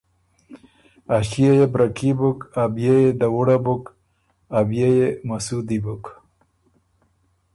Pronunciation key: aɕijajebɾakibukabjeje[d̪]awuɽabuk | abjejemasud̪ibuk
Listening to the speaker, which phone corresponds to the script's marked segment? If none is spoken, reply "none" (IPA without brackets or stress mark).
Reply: d̪